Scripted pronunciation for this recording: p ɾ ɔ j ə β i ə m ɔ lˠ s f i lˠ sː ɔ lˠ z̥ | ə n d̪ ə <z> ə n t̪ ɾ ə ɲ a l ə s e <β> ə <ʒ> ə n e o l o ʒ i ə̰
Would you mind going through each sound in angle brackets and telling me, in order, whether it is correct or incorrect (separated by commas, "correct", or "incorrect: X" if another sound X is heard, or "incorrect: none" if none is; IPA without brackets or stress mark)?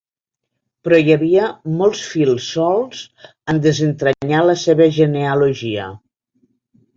correct, correct, correct